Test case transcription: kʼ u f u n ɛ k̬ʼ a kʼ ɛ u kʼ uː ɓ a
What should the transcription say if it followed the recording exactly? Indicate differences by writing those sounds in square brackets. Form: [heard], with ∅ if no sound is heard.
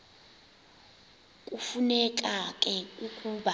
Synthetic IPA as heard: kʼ u f u n ɛ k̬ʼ a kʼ ɛ u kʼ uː ɓ a